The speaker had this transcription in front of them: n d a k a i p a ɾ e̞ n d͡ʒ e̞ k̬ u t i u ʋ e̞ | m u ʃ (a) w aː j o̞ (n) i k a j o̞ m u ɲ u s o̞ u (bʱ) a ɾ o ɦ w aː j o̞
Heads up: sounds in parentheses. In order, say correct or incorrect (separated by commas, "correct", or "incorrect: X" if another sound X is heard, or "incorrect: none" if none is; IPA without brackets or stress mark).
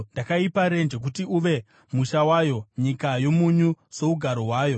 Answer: correct, incorrect: ɲ, incorrect: ɡʱ